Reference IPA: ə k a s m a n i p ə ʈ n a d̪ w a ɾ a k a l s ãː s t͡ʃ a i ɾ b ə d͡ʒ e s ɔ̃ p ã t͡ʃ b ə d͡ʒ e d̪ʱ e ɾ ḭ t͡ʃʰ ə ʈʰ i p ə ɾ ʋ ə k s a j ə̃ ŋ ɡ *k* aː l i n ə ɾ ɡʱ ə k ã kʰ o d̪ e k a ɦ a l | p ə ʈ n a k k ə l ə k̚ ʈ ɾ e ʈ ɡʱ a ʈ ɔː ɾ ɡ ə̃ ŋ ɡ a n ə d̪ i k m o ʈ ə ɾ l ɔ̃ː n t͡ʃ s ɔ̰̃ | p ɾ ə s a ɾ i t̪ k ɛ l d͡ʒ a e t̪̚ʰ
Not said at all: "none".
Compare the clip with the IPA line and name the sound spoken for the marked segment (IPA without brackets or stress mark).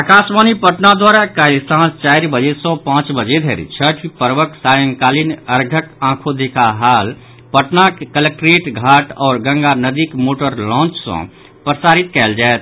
k